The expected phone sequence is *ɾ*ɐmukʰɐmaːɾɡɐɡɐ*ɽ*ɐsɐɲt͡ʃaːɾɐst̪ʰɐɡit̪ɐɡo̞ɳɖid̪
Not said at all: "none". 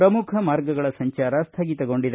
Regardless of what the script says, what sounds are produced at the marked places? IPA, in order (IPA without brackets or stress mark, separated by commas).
ɾ, ɭ